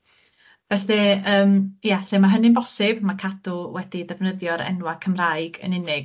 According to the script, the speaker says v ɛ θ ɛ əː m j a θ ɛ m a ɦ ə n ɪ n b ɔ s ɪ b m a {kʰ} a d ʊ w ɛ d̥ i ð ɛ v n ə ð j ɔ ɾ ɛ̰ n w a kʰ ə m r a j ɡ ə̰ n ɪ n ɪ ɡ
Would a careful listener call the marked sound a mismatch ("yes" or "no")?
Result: no